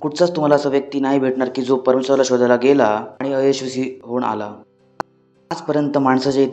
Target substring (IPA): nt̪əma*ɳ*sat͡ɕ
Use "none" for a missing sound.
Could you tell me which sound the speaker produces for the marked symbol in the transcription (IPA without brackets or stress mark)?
ɳ